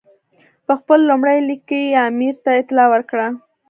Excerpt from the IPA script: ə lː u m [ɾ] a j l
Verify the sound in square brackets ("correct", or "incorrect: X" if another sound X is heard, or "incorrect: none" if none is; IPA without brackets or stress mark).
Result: incorrect: ɽ